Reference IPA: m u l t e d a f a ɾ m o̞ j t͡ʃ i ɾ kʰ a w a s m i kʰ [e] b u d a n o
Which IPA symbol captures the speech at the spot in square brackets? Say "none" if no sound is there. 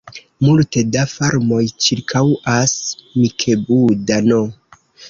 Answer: e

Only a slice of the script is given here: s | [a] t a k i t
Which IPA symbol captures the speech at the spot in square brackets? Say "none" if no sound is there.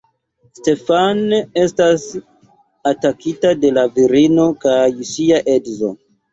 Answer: a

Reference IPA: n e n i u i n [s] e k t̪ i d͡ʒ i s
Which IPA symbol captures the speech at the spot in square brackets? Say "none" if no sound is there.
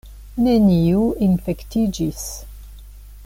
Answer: f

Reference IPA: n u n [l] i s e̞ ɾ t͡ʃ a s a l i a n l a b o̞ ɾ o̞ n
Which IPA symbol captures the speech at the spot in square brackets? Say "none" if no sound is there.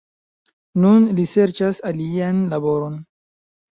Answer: l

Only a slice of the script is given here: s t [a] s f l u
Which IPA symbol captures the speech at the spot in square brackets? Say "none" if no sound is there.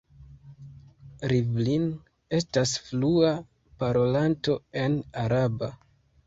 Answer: a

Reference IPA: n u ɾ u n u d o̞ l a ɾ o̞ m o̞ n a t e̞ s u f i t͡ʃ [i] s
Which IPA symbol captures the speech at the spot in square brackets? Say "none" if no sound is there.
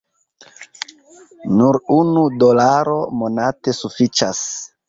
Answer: a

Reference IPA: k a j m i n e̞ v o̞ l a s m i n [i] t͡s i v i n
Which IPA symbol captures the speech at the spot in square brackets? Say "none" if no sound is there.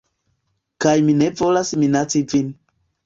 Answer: a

